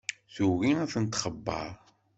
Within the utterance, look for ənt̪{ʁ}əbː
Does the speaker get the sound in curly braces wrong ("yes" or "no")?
yes